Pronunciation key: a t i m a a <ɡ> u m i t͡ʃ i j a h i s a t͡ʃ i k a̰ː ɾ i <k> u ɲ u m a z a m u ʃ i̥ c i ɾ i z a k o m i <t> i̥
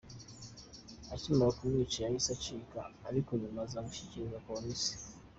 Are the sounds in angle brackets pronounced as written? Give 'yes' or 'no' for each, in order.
no, yes, no

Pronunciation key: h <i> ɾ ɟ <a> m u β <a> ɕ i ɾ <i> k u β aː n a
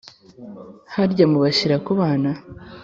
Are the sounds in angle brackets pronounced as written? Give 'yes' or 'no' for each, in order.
no, yes, yes, no

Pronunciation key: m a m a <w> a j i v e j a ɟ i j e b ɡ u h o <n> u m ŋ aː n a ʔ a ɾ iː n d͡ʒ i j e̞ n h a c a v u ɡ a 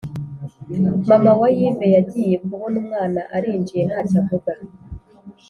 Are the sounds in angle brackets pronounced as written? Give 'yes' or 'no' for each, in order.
yes, yes

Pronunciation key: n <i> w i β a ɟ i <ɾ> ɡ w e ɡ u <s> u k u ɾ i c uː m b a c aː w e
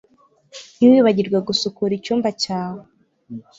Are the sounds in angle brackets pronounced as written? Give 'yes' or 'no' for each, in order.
yes, yes, yes

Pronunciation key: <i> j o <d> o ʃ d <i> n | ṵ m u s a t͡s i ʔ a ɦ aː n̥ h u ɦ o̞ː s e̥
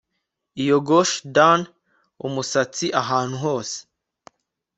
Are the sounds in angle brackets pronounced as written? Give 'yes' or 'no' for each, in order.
yes, no, no

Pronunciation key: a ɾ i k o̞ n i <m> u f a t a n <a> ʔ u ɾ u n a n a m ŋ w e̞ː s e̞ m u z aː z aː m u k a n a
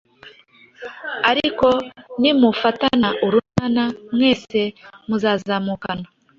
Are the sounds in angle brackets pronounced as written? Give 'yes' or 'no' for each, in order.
yes, yes

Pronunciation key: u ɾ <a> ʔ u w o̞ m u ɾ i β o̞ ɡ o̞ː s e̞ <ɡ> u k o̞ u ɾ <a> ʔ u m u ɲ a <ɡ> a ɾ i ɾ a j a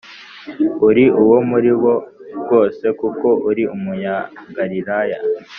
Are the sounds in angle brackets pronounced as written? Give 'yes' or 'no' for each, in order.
no, no, no, yes

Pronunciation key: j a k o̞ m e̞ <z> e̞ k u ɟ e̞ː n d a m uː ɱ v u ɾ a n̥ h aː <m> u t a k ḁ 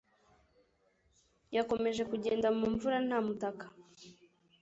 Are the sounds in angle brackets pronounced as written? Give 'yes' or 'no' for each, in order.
no, yes

